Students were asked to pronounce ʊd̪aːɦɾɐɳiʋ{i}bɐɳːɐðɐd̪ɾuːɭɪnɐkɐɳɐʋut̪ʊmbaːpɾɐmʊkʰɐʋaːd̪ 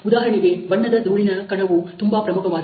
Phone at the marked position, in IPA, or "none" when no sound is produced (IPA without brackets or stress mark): e